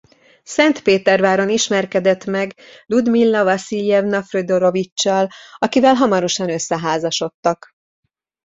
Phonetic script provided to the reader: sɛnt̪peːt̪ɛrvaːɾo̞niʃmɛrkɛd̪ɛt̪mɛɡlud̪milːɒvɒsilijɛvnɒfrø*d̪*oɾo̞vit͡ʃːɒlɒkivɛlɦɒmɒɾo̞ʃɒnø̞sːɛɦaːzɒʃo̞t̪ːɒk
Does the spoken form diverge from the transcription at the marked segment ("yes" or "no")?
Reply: no